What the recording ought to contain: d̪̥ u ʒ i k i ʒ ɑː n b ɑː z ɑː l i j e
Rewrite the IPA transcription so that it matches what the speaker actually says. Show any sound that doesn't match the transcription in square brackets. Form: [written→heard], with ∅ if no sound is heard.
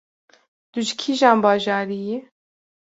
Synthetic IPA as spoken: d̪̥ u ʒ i [k→kʰ] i ʒ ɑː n b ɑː [z→ʒ] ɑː [l→ɾ] i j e